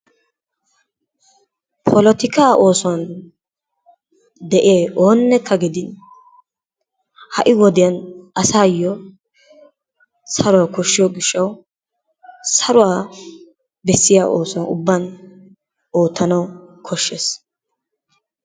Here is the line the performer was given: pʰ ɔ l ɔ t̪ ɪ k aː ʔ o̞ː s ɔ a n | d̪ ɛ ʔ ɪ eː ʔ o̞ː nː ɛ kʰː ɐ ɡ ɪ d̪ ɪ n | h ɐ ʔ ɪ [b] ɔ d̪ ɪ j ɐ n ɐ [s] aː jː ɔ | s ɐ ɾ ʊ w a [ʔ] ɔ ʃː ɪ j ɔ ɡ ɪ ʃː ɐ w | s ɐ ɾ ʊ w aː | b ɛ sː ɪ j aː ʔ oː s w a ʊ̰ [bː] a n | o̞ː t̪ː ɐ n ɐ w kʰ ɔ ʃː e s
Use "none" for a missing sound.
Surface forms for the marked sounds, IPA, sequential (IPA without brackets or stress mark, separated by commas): w, s, k, bː